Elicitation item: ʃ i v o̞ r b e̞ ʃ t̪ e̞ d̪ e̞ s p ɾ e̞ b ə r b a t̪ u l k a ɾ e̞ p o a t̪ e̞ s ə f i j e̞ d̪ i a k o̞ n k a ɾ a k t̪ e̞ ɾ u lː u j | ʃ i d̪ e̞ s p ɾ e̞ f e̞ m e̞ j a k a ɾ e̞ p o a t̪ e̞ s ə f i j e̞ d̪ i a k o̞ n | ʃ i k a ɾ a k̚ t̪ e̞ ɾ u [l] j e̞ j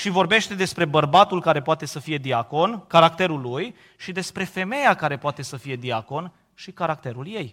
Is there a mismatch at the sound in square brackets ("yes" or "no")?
no